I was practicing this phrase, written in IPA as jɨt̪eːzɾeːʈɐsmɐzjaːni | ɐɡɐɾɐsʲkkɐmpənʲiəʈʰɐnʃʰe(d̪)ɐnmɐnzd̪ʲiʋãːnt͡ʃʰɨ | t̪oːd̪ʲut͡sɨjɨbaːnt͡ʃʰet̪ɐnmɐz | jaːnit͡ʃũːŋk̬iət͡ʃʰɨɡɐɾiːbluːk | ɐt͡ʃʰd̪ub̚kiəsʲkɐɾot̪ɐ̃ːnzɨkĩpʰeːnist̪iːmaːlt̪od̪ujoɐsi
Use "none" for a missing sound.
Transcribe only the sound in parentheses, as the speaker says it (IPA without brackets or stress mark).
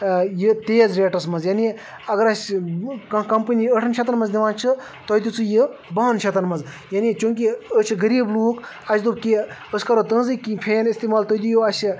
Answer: t̪